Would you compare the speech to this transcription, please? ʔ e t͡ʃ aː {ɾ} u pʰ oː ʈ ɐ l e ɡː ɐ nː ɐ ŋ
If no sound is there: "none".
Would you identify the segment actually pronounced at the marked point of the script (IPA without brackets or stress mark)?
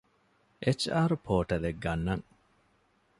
ɾ